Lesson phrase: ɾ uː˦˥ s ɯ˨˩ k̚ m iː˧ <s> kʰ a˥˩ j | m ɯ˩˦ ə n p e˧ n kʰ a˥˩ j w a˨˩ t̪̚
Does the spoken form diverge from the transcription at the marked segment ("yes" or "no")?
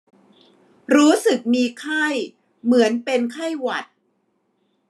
yes